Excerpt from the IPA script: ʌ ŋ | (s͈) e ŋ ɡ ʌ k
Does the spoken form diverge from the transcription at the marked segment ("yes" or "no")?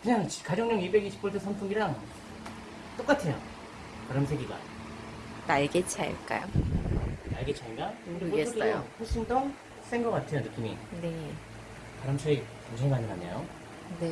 no